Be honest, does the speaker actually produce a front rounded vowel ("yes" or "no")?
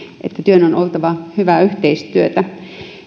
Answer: yes